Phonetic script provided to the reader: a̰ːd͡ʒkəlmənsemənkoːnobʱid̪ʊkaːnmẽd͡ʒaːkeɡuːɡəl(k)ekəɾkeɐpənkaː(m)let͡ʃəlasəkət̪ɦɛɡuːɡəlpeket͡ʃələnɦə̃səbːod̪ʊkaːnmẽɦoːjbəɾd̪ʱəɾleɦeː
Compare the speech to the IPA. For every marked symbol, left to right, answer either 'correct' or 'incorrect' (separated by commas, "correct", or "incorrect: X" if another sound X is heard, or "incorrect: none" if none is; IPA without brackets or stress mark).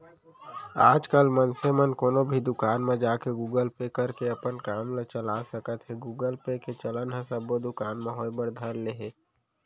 incorrect: p, correct